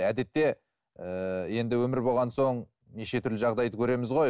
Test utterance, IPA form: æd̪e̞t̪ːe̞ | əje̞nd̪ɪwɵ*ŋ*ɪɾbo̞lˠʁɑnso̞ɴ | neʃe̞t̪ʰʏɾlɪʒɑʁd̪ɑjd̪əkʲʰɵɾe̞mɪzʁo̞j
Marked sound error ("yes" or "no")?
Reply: yes